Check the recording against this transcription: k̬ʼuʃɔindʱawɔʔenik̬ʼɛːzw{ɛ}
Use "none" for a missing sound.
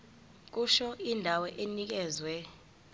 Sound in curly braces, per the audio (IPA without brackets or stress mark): ɛ